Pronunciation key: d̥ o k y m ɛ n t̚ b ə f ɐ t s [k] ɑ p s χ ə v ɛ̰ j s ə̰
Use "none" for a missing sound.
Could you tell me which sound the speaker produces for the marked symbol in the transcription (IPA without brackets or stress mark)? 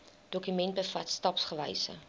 t